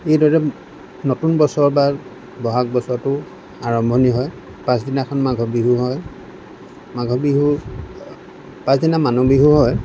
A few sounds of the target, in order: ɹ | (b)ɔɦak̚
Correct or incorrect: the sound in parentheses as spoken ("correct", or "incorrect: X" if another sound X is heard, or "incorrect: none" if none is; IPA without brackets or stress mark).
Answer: correct